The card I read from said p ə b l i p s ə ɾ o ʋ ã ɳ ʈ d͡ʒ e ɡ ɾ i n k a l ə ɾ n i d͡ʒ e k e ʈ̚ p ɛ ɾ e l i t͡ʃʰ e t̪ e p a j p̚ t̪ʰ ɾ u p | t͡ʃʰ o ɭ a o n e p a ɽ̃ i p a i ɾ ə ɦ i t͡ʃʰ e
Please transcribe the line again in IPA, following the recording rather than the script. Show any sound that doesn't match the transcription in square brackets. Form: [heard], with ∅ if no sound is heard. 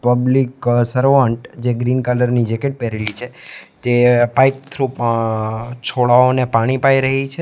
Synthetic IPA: p ə b l i [k] s ə ɾ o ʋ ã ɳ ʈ d͡ʒ e ɡ ɾ i n k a l ə ɾ n i d͡ʒ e k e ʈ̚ p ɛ ɾ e l i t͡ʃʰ e t̪ e p a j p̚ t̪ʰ ɾ u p | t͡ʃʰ o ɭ a o n e p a ɽ̃ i p a i ɾ ə ɦ i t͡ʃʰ e